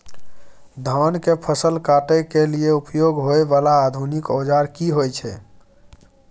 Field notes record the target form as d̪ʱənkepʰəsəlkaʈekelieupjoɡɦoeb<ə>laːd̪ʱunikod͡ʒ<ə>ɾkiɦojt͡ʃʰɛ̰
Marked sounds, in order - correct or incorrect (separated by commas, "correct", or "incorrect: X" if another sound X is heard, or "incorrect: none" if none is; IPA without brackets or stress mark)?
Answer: incorrect: a, incorrect: a